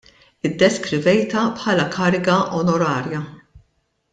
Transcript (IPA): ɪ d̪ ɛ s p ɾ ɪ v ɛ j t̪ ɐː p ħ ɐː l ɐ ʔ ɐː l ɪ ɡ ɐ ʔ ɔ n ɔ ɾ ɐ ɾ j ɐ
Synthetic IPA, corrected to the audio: ɪ d̪ː ɛ s k ɾ ɪ v ɛ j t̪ ɐ p ħ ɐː l ɐ k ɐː ɾ ɪ ɡ ɐ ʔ ɔ n ɔ ɾ ɐː ɾ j ɐ